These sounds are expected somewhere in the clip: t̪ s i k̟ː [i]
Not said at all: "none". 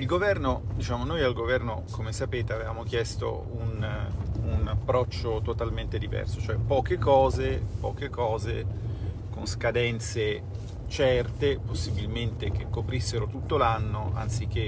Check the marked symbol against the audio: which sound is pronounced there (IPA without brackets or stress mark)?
e